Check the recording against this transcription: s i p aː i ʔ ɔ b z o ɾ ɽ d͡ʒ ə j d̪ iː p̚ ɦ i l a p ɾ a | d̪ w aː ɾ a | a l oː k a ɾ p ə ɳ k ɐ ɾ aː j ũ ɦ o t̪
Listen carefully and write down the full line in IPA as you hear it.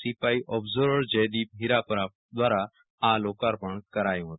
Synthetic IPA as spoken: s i p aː i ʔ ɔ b z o ɾ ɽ d͡ʒ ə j d̪ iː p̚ ɦ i ɾ a p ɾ a | d̪ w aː ɾ a | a l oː k a ɾ p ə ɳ k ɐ ɾ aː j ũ ɦ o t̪